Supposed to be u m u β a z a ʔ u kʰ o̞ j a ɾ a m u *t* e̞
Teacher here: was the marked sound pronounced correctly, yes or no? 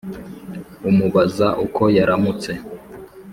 no